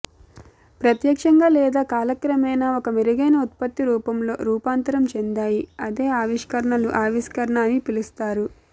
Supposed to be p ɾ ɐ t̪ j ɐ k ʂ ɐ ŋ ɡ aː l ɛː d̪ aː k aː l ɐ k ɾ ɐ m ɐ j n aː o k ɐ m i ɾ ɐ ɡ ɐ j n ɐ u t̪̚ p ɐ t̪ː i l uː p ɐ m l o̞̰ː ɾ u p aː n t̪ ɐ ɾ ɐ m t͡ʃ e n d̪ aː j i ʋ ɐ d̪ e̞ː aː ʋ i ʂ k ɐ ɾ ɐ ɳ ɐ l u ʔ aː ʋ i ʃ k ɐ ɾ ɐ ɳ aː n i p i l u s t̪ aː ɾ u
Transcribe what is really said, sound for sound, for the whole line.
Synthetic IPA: p ɾ ɐ t̪ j ɐ k ʂ ɐ ŋ ɡ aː l ɛː d̪ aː k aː l ɐ k ɾ ɐ m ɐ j n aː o k ɐ m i ɾ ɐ ɡ ɐ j n ɐ u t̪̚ p ɐ t̪ː i ɾ uː p ɐ m l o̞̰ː ɾ uː p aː n t̪ ɐ ɾ ɐ m t͡ʃ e n d̪ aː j i ɐ d̪ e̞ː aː ʋ i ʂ k ɐ ɾ ɐ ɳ ɐ l u ʔ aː ʋ i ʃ k ɐ ɾ ɐ ɳ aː n i p i l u s t̪ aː ɾ u